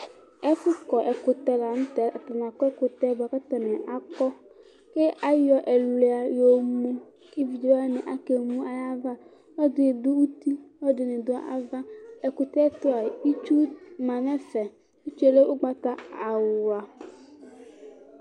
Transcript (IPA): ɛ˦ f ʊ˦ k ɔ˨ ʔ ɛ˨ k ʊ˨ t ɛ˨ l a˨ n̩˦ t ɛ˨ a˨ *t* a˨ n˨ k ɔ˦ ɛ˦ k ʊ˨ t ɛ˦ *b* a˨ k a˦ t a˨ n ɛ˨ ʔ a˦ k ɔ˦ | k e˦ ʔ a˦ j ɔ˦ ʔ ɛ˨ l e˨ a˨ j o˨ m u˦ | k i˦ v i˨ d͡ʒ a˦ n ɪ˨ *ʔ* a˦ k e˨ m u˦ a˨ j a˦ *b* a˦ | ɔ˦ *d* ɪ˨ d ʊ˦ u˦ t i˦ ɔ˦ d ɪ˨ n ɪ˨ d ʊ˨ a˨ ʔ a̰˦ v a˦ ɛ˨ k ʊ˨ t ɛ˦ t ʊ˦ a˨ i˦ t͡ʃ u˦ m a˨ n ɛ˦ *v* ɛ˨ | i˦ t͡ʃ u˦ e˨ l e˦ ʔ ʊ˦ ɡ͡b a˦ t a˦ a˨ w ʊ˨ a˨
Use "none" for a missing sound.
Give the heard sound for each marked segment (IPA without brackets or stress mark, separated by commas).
t, b, ʔ, v, d, f